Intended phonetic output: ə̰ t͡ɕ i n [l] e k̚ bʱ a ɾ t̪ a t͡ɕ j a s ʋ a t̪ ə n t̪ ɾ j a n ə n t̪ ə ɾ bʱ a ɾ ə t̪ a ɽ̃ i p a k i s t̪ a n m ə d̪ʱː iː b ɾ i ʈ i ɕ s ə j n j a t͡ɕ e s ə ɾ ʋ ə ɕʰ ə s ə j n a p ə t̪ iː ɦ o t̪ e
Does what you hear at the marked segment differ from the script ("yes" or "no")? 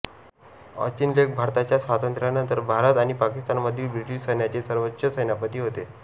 no